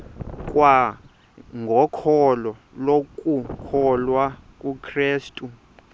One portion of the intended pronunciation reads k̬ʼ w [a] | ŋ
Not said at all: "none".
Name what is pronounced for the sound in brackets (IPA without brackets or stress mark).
a